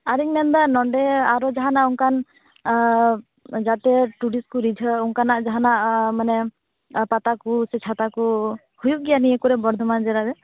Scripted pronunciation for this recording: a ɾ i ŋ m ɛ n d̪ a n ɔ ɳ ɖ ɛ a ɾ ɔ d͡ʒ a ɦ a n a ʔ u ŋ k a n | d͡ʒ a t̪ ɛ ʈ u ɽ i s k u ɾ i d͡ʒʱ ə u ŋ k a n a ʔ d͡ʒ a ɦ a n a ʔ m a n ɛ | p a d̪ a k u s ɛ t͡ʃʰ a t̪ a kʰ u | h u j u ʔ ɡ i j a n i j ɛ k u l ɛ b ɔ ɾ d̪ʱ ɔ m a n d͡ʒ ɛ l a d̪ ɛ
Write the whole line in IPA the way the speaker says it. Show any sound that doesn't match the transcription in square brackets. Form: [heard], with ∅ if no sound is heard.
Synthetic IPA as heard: a ɾ i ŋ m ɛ n d̪ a n ɔ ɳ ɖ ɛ a ɾ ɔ d͡ʒ a ɦ a n a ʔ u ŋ k a n | d͡ʒ a t̪ ɛ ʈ u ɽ i s k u ɾ i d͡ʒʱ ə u ŋ k a n a ʔ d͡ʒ a ɦ a n a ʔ m a n ɛ | p a [t̪] a k u s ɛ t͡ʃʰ a t̪ a [k] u | h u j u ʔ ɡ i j a n i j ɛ k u [ɾ] ɛ b ɔ ɾ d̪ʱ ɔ m a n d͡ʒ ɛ [ɾ] a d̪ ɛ